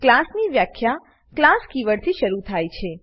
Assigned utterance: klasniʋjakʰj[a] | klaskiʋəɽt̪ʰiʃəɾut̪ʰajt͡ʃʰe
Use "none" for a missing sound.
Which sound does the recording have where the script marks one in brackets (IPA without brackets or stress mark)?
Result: a